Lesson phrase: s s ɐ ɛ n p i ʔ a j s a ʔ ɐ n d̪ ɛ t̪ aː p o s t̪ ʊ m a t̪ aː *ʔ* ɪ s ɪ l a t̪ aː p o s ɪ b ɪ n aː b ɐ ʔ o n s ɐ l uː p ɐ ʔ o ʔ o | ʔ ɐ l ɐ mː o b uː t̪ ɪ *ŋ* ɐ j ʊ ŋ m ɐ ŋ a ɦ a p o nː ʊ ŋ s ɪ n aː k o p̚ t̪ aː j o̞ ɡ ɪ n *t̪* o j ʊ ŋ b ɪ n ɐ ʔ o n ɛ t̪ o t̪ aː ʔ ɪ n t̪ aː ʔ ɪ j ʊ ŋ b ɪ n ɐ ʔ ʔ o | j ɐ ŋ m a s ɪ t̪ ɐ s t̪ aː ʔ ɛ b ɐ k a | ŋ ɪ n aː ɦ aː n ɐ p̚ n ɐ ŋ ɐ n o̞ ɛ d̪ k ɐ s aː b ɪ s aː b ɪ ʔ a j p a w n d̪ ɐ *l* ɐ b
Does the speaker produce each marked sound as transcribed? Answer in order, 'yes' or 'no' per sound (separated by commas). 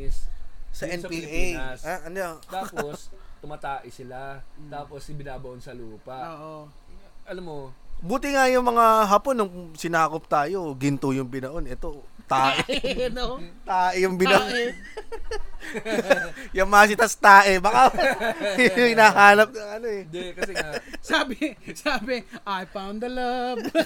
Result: yes, yes, yes, yes